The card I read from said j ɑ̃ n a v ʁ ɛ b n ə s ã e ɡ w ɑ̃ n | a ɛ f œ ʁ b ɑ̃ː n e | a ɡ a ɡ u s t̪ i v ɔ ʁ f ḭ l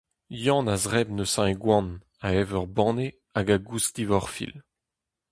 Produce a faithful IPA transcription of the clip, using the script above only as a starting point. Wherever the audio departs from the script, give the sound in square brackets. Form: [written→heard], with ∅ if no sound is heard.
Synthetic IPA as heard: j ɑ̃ n a [v→z] ʁ ɛ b n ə s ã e ɡ w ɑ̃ n | a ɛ [f→v] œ ʁ b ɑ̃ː n e | a ɡ a ɡ u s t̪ i v ɔ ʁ f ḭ l